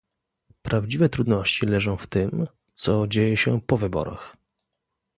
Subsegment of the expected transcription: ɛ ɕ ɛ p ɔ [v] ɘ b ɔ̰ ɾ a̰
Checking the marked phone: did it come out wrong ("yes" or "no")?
no